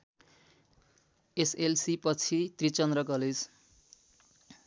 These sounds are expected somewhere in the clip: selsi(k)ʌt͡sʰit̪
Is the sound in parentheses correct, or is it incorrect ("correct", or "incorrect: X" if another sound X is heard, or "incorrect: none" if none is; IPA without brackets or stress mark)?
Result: incorrect: p